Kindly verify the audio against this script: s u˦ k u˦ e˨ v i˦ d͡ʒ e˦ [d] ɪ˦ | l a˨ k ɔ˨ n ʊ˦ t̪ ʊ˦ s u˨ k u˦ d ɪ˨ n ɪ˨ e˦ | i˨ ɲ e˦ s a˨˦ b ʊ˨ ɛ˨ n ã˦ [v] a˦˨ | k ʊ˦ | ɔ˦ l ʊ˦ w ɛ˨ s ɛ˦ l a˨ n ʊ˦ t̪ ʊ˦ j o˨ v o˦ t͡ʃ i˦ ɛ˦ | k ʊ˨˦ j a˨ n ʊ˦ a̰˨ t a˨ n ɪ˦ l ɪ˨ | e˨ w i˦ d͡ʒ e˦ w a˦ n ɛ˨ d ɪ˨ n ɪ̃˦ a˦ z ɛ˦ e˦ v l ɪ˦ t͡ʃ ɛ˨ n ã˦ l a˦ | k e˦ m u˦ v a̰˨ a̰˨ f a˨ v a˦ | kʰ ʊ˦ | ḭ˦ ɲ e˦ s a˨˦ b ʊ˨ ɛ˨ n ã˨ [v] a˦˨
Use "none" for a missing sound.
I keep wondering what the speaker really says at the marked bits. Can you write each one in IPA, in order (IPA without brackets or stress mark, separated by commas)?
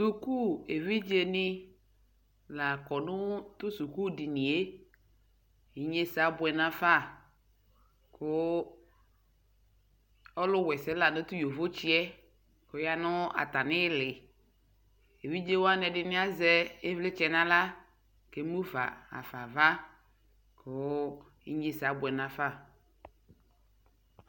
n, f, f